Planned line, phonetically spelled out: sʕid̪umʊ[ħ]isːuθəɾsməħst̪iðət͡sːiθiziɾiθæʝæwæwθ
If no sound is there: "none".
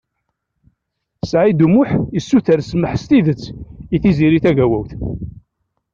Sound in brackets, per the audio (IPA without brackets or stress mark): ħ